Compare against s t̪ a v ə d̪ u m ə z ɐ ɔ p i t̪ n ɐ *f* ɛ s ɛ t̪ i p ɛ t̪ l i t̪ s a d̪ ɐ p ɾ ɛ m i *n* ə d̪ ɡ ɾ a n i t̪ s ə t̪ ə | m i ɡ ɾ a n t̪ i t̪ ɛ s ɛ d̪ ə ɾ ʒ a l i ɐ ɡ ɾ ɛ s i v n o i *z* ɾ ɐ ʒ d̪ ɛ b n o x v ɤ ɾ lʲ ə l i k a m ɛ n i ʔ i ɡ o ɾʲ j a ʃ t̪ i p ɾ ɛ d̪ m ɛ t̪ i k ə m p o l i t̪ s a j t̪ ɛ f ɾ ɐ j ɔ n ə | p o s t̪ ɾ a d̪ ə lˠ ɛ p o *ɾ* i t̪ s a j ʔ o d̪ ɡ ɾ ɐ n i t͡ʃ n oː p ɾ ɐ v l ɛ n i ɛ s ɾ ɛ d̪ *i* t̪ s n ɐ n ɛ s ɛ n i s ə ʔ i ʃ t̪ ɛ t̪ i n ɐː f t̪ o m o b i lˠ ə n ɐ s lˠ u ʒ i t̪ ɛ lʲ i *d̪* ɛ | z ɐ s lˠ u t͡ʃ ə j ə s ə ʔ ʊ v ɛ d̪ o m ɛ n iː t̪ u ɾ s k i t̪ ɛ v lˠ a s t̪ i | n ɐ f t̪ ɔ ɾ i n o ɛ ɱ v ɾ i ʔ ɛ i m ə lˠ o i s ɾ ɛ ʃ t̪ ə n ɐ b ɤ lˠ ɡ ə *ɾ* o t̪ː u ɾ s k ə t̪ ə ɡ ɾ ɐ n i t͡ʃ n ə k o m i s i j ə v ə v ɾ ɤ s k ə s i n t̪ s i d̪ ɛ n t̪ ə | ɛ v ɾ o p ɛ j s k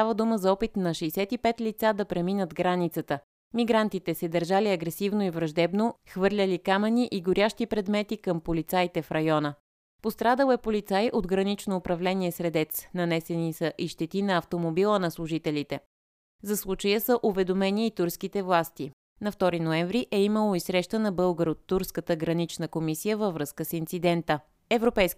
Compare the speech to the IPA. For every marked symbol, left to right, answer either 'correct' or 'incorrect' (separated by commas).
incorrect, correct, incorrect, incorrect, incorrect, incorrect, correct